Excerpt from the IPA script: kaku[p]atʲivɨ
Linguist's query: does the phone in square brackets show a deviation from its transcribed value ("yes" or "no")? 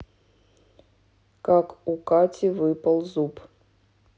yes